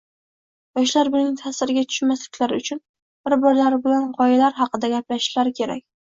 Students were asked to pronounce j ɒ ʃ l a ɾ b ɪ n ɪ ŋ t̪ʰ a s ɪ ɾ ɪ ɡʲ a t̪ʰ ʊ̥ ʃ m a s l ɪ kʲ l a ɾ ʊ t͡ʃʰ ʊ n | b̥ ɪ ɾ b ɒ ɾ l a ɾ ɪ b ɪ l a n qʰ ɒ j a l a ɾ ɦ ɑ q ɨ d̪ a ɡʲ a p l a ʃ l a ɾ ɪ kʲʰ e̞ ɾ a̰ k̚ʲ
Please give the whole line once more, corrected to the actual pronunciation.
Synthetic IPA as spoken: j ɒ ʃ l a ɾ b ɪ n ɪ ŋ t̪ʰ a s ɪ ɾ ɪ ɡʲ a t̪ʰ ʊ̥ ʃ m a s l ɪ kʲ l a ɾ ʊ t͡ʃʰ ʊ n | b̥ ɪ ɾ b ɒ ɾ l a ɾ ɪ b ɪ l a n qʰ ɒ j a l a ɾ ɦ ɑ q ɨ d̪ a ɡʲ a p l a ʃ l a ɾ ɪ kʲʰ e̞ ɾ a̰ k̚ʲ